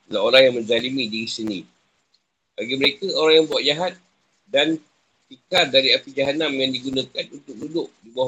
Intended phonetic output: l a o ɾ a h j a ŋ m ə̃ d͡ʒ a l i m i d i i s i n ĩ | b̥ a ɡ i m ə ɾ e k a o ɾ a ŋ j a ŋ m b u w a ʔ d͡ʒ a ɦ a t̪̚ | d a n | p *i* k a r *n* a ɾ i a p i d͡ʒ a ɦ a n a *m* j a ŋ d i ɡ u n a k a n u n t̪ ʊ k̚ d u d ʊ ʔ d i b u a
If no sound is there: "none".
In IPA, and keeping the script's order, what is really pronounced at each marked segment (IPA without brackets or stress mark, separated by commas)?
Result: i, d, m